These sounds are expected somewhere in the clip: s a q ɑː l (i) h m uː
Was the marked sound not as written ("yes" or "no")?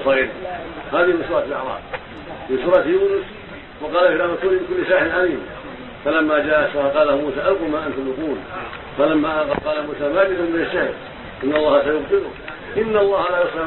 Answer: yes